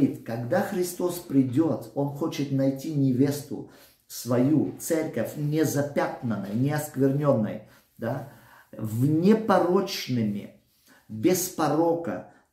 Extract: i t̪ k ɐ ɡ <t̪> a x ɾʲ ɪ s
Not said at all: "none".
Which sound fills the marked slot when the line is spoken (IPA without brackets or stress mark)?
d̪